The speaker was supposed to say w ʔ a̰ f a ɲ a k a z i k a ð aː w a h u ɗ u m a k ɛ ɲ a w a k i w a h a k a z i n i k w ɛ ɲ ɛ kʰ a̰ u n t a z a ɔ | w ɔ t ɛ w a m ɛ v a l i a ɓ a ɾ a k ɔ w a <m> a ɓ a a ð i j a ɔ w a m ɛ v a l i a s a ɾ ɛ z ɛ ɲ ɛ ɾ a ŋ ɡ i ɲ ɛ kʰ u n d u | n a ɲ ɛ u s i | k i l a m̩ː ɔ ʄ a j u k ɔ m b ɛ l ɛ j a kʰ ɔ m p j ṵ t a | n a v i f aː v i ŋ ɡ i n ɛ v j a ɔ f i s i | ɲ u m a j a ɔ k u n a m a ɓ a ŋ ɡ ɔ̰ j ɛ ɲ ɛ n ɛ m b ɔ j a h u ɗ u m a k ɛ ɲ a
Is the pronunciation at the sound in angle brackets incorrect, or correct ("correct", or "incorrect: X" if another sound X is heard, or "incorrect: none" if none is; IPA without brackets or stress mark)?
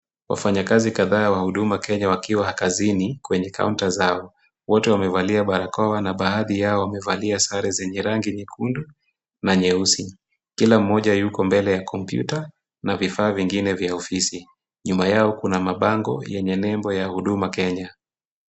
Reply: incorrect: n